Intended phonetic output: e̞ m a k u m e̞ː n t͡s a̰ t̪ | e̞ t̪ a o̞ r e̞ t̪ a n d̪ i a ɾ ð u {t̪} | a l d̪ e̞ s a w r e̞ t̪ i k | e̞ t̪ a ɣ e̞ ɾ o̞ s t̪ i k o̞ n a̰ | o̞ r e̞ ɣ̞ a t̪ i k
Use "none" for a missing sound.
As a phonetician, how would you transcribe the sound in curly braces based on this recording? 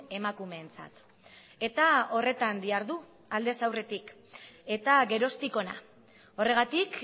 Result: none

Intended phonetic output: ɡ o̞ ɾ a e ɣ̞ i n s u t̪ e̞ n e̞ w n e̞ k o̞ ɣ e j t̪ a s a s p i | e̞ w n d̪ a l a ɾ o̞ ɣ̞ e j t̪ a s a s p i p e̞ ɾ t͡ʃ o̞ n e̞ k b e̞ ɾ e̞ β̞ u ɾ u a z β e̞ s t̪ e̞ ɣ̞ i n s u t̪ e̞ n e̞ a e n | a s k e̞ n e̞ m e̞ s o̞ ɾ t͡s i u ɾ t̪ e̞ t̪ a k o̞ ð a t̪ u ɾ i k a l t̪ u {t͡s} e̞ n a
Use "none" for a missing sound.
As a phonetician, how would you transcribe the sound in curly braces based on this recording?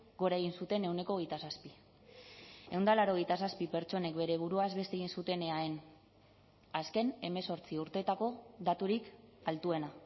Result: none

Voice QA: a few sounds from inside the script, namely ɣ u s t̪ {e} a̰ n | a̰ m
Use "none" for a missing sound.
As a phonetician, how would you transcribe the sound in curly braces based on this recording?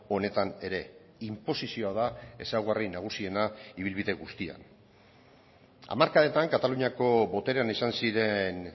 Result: i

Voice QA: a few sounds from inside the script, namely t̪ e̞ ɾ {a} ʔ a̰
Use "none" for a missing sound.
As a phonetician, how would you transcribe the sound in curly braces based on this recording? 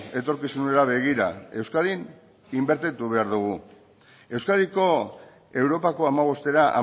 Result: a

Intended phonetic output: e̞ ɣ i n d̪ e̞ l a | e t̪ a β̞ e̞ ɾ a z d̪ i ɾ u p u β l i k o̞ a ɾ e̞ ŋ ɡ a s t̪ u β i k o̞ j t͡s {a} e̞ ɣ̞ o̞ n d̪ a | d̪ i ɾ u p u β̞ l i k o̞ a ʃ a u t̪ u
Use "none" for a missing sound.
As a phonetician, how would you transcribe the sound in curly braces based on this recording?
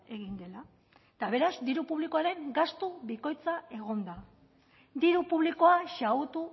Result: a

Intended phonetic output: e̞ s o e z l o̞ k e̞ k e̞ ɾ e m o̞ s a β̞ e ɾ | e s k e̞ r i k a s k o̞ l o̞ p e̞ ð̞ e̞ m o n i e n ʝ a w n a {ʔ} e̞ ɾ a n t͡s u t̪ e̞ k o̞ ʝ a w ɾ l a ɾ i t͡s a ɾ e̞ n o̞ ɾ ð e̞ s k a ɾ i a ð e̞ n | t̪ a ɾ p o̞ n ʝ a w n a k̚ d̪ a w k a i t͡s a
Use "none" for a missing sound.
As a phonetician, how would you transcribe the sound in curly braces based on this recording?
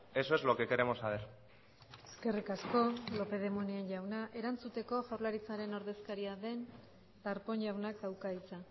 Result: ʔ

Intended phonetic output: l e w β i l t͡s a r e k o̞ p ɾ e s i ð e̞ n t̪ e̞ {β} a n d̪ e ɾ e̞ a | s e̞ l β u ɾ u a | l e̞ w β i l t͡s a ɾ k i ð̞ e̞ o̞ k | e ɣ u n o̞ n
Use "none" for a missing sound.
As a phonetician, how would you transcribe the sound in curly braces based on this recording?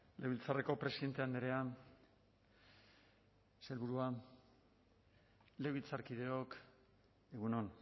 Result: none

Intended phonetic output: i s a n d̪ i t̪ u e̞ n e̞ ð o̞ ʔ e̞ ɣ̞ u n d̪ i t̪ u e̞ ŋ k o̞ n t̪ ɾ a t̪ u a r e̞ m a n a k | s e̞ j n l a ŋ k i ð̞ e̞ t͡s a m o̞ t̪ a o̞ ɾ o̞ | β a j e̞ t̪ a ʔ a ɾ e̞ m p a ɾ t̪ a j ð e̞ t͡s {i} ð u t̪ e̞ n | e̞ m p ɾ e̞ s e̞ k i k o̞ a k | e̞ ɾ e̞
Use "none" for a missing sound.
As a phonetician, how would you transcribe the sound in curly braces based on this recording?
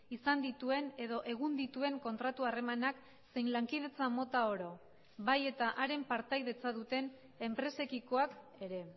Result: a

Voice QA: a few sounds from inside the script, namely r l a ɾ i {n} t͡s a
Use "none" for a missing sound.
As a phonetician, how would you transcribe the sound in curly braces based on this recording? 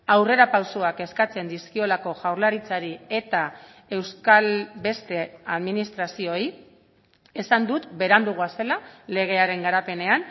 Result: none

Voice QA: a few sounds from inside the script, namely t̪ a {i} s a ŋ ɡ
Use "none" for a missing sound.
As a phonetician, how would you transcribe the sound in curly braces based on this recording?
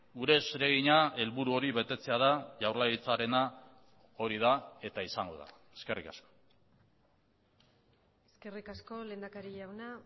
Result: i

